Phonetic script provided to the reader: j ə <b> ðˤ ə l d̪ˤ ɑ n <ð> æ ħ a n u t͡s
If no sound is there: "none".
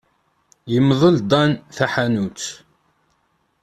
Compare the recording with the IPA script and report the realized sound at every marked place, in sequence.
m, θ

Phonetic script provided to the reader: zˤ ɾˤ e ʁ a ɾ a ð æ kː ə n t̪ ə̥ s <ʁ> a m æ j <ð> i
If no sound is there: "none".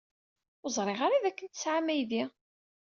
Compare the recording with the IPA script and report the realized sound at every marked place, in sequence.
ʕ, ð

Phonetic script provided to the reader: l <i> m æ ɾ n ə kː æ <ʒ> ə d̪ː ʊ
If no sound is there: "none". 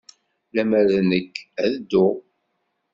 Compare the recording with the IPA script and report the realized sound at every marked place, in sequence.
æ, ð

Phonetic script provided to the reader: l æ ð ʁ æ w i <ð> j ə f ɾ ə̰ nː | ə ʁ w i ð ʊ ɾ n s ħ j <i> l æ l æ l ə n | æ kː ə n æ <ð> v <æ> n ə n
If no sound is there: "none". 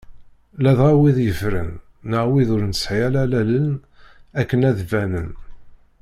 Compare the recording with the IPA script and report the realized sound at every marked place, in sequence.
ð, æ, ð, æ

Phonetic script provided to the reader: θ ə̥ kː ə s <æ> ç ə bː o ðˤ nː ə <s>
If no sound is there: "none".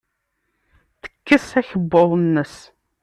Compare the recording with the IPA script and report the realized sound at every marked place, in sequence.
æ, s

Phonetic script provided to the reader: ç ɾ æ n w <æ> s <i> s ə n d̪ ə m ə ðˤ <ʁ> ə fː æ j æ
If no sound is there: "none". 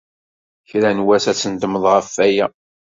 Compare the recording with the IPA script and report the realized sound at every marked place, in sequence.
æ, æ, ʁ

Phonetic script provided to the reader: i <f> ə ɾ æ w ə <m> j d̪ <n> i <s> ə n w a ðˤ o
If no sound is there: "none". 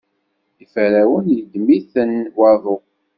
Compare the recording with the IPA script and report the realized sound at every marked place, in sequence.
f, n, m, θ

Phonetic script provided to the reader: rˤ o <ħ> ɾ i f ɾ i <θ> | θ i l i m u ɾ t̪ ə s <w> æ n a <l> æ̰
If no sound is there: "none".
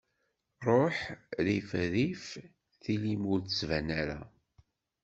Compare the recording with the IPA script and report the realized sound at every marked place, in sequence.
ħ, f, v, ɾ

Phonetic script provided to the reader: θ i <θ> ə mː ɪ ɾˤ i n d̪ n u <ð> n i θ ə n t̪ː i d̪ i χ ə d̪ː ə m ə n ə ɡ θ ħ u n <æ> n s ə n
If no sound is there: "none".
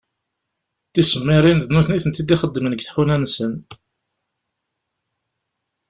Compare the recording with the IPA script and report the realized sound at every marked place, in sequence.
s, θ, æ

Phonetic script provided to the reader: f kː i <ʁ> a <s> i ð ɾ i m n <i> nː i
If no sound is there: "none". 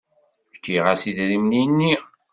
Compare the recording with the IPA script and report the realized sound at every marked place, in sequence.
ʁ, s, i

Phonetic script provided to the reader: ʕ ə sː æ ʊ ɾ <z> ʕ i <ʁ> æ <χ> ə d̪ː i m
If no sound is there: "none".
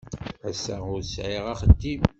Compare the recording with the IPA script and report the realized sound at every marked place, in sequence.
s, ʁ, χ

